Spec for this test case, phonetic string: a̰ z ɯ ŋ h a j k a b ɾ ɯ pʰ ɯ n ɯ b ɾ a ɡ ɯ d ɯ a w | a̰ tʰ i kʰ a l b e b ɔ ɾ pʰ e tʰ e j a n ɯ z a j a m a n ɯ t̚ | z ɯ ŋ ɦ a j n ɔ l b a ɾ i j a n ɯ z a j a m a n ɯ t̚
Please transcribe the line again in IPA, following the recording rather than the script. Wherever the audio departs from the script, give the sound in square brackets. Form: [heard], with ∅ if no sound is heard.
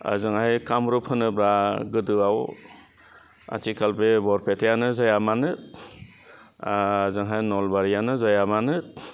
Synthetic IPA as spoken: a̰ z ɯ ŋ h a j k a [m] ɾ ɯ pʰ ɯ n ɯ b ɾ a ɡ ɯ d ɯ a w | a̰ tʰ i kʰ a l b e b ɔ ɾ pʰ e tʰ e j a n ɯ z a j a m a n ɯ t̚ | z ɯ ŋ ɦ a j n ɔ l b a ɾ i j a n ɯ z a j a m a n ɯ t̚

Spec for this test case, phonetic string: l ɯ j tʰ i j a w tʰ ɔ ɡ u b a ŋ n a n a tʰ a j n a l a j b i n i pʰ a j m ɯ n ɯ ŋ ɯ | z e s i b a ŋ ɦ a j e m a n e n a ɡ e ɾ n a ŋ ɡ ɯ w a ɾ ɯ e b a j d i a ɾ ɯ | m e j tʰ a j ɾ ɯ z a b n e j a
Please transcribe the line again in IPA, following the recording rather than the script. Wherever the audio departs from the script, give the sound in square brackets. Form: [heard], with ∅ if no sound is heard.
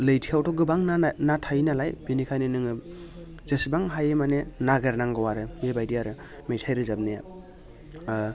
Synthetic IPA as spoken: l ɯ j tʰ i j a w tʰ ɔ ɡ [ɯ] b a ŋ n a n a tʰ a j n a l a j b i n i [kʰ] a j [n] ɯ n ɯ ŋ ɯ | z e s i b a ŋ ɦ a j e m a n e n a ɡ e ɾ n a ŋ ɡ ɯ w a ɾ ɯ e b a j d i a ɾ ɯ | m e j tʰ a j ɾ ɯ z a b n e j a

